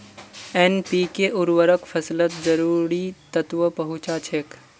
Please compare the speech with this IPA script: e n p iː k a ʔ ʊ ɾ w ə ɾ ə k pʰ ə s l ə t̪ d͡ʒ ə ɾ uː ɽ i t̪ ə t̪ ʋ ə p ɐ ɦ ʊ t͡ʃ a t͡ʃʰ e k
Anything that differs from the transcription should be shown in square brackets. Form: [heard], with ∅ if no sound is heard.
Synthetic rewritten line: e n p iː k [e] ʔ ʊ ɾ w ə ɾ ə k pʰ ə s l ə t̪ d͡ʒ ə ɾ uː [ɾ] i t̪ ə t̪ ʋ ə p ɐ ɦ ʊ t͡ʃ a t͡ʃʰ e k